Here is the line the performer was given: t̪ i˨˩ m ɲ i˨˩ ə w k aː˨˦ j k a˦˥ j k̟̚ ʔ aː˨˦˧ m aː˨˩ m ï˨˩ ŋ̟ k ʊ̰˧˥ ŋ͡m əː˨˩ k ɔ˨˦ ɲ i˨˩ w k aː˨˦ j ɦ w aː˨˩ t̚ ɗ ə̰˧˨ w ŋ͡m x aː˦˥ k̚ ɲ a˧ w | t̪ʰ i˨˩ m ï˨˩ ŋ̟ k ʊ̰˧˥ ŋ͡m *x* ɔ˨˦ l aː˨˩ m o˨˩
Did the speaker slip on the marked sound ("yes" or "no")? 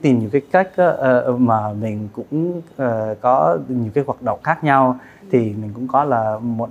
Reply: yes